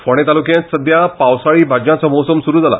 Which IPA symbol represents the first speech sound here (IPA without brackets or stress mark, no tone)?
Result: f